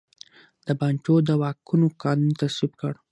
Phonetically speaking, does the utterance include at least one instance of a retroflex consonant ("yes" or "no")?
yes